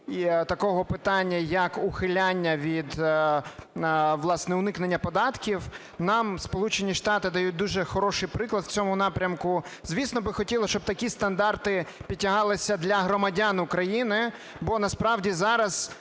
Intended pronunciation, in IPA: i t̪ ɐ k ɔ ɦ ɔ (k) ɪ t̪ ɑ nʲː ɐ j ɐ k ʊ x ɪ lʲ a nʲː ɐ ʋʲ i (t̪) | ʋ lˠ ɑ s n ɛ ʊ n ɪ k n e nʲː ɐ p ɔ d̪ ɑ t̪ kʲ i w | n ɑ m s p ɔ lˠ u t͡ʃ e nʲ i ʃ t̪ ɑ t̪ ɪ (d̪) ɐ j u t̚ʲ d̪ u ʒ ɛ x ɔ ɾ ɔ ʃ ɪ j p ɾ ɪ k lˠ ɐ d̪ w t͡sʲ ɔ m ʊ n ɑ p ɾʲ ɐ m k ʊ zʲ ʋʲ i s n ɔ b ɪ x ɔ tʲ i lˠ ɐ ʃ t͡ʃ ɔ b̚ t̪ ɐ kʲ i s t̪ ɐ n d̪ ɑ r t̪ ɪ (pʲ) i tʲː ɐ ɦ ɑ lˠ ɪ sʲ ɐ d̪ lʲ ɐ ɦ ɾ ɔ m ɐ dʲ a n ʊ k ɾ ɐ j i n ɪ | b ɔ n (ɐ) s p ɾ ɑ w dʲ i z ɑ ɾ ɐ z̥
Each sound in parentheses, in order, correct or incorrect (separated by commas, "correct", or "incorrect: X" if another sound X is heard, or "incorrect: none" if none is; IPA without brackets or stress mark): incorrect: p, incorrect: d̪, correct, correct, correct